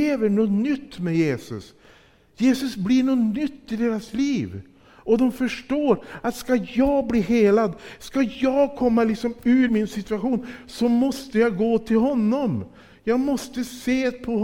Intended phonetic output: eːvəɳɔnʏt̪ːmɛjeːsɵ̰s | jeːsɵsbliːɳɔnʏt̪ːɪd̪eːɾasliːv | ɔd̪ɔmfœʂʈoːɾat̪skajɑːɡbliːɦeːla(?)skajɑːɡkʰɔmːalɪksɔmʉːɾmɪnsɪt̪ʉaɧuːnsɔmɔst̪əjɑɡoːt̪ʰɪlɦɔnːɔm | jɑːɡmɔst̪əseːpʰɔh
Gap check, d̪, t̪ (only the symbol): d̪